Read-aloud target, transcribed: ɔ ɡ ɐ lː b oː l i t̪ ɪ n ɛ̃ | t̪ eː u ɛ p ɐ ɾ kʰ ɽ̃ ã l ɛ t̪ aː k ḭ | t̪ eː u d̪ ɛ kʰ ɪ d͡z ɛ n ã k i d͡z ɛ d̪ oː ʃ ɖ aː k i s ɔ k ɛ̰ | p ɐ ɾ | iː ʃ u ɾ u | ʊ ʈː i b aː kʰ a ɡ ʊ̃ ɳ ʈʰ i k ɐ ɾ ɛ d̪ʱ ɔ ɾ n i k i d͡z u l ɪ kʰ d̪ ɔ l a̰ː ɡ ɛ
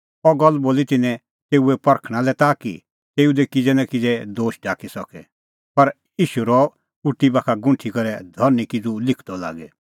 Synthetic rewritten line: ɔ ɡ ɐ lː b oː l i t̪ ɪ n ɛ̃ | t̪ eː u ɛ p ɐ ɾ kʰ ɽ̃ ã l ɛ t̪ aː k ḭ | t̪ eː u d̪ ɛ k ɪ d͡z ɛ n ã k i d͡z ɛ d̪ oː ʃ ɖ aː k i s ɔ k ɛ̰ | p ɐ ɾ | iː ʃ u ɾ ɔ | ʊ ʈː i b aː kʰ a ɡ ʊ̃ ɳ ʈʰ i k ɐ ɾ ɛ d̪ʱ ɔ ɾ n i k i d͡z u l ɪ kʰ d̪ ɔ l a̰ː ɡ ɛ